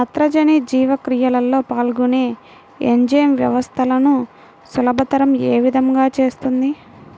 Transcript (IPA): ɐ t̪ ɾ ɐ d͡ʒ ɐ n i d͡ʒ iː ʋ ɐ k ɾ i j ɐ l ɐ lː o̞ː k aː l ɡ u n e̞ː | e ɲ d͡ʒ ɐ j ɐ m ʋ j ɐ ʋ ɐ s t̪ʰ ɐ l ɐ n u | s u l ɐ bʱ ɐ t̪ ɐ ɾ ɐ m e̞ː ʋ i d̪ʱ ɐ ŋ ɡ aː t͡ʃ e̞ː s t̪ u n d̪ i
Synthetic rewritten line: ɐ t̪ ɾ ɐ d͡ʒ ɐ n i d͡ʒ iː ʋ ɐ k ɾ i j ɐ l ɐ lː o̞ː p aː l ɡ u n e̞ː | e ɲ d͡ʒ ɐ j ɐ m ʋ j ɐ ʋ ɐ s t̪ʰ ɐ l ɐ n u | s u l ɐ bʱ ɐ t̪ ɐ ɾ ɐ m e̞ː ʋ i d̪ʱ ɐ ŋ ɡ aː t͡ʃ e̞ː s t̪ u n d̪ i